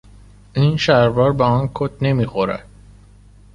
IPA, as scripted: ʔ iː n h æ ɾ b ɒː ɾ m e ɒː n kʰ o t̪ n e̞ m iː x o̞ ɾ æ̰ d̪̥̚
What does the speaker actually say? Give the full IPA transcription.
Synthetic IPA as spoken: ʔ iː n ʃ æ ɾ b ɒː ɾ b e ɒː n kʰ o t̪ n e̞ m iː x o̞ ɾ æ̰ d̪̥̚